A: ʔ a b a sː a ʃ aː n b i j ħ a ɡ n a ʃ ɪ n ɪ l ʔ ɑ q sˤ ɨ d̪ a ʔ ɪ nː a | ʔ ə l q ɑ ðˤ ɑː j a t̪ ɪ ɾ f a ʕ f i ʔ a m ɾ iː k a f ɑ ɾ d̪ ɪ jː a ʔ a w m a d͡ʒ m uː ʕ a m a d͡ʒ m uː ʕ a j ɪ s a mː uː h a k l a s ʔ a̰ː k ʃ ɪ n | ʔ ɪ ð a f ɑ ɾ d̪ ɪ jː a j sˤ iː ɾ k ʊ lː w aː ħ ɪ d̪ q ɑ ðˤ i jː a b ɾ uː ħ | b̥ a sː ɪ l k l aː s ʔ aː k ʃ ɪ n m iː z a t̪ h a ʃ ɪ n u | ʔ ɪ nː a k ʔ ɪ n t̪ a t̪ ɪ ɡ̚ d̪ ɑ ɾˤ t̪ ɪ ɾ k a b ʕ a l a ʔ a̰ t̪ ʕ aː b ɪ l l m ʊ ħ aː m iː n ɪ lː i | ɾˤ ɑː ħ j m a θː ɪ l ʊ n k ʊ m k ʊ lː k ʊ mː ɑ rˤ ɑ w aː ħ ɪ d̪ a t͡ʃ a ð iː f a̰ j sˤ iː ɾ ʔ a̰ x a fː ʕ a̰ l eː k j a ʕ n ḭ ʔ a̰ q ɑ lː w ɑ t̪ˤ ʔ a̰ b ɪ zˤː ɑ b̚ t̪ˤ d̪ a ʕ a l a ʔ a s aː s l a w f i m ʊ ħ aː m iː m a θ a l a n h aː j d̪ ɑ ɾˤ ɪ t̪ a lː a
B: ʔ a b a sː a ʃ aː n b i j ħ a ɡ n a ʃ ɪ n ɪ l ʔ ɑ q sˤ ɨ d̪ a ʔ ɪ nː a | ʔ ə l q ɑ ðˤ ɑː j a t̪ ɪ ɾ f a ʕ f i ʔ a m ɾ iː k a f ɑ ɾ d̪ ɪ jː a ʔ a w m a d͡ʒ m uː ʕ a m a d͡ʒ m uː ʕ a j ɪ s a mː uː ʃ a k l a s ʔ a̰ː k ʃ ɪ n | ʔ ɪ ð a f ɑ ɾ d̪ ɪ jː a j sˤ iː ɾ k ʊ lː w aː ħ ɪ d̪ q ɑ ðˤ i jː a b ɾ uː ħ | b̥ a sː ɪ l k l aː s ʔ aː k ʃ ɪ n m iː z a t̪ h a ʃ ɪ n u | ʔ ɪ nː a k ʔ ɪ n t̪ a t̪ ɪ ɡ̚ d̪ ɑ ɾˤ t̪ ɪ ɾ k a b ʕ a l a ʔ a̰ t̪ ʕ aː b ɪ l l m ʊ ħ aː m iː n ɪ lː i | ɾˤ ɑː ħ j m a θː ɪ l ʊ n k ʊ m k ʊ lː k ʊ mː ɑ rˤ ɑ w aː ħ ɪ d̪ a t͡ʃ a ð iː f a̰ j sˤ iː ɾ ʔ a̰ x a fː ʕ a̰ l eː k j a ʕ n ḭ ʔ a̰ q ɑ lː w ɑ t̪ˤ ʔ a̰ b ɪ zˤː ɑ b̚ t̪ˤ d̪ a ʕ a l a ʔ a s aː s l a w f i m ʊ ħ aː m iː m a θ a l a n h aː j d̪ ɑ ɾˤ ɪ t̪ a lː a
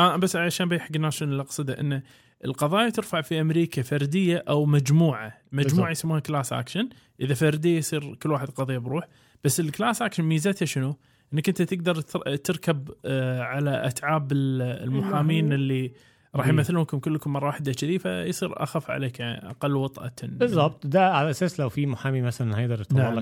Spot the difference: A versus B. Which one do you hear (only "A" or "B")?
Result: A